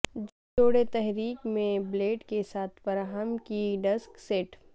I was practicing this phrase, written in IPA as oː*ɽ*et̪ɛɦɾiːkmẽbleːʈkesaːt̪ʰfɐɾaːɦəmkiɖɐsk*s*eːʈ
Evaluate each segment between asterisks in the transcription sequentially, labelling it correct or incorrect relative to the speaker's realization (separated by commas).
correct, correct